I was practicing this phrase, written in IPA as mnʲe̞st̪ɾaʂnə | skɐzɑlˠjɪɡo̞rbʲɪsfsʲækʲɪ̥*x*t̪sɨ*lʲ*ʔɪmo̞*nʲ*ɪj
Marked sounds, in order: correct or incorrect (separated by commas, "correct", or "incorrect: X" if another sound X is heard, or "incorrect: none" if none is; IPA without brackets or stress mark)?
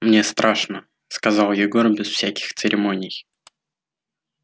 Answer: correct, incorrect: ɾʲ, correct